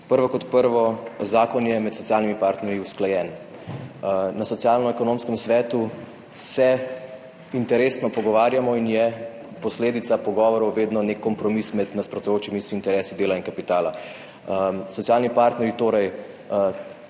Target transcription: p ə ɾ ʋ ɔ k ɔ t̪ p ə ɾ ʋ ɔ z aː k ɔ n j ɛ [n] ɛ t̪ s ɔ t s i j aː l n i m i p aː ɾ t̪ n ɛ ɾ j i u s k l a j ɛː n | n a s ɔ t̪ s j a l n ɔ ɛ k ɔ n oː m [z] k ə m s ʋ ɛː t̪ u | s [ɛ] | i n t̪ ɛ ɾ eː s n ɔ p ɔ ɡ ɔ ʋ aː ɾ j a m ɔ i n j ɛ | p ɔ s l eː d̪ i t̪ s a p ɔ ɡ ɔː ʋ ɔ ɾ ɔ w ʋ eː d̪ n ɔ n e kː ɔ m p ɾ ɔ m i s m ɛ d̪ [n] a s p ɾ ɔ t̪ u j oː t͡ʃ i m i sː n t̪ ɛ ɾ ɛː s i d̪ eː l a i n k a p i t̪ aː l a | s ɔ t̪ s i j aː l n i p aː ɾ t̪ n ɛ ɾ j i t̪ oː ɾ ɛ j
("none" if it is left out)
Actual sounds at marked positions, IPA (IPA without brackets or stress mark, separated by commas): m, s, ɛ, n